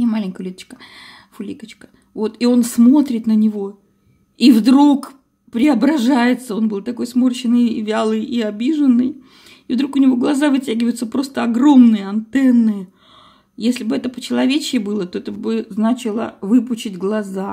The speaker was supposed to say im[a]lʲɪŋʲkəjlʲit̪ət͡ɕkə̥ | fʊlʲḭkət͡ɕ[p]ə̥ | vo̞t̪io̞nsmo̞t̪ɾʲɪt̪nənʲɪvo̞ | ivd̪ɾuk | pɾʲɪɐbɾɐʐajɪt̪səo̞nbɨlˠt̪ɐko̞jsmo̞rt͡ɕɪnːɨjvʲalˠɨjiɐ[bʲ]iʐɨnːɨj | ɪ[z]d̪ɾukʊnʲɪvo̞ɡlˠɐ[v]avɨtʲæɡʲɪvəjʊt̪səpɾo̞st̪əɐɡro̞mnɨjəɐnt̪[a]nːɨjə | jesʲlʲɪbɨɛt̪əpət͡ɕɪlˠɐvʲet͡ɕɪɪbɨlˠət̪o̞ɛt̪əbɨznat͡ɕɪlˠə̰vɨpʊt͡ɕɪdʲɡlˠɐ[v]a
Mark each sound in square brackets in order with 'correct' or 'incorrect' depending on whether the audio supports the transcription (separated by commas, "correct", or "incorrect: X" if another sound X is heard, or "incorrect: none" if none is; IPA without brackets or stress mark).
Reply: correct, incorrect: k, correct, incorrect: v, incorrect: z, incorrect: ɛ, incorrect: z